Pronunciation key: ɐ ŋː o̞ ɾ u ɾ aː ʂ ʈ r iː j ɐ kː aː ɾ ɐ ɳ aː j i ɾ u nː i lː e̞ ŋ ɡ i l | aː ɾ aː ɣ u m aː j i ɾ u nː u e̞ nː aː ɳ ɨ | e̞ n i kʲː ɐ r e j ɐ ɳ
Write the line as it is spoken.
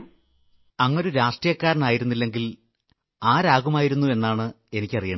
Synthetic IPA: ɐ ŋː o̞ ɾ u ɾ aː ʂ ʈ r i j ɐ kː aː ɾ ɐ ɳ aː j i ɾ u nː i lː e̞ ŋ ɡ i l | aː ɾ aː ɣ u m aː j i ɾ u nː u e̞ nː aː ɳ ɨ | e̞ n i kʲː ɐ r i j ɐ ɳ